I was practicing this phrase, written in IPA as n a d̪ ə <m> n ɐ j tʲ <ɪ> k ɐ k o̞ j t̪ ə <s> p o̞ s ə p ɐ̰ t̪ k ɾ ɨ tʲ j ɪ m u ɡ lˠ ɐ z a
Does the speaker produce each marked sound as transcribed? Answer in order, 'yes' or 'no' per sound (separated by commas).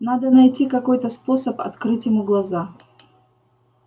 no, no, yes